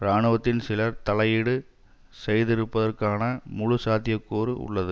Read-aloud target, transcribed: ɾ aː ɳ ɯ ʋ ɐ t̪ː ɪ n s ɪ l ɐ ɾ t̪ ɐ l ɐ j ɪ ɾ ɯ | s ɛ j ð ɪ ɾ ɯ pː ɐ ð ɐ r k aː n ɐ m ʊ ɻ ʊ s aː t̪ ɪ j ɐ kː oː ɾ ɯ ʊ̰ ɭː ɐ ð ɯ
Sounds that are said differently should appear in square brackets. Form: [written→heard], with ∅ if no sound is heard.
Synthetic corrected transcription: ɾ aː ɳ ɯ ʋ ɐ t̪ː ɪ n s ɪ l ɐ ɾ t̪ ɐ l ɐ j ɪ [ɾ→ɽ] ɯ | s ɛ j ð ɪ ɾ ɯ pː ɐ ð ɐ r k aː n ɐ m ʊ ɻ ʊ s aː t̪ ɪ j ɐ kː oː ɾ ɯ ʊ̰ ɭː ɐ ð ɯ